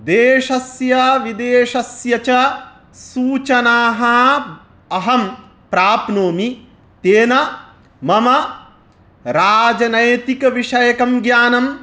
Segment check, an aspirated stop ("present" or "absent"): absent